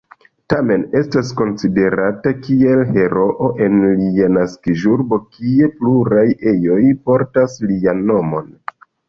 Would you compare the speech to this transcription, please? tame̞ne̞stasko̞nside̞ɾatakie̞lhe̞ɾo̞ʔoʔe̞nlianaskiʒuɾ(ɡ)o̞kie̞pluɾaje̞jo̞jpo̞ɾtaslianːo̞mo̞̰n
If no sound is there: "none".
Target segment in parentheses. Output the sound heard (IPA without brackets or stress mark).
b